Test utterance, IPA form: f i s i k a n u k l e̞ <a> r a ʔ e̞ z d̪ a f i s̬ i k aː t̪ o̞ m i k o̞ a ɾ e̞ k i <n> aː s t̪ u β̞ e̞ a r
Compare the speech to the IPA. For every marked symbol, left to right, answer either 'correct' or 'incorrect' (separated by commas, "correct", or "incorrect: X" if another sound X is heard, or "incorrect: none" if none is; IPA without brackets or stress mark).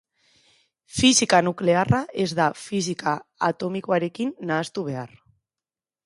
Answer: correct, incorrect: nː